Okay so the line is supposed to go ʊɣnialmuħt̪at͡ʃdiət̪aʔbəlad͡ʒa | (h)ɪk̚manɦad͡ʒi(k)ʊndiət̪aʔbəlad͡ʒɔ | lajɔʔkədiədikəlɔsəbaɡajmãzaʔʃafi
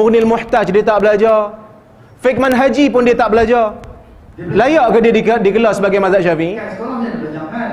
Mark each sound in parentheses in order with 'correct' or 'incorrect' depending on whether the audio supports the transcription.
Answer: incorrect: f, incorrect: p

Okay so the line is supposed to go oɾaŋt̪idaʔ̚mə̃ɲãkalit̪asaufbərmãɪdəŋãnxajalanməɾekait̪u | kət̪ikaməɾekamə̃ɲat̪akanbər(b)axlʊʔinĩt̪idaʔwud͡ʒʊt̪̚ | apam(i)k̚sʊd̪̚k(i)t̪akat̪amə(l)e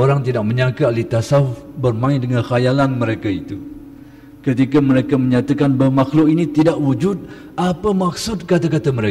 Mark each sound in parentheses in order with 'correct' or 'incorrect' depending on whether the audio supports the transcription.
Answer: incorrect: m, incorrect: a, incorrect: a, incorrect: ɾ

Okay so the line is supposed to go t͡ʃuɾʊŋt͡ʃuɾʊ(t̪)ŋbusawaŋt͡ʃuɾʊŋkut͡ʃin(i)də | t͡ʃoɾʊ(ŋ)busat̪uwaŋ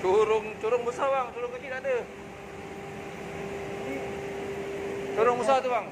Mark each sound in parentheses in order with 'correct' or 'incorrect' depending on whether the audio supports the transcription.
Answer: incorrect: none, incorrect: a, correct

